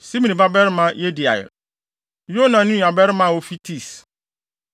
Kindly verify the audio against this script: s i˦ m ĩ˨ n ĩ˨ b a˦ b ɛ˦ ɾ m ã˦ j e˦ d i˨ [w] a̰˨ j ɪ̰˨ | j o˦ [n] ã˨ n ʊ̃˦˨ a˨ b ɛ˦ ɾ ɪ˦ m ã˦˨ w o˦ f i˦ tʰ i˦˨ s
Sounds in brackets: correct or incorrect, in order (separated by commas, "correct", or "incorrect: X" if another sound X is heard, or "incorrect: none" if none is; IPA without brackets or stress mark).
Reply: incorrect: none, correct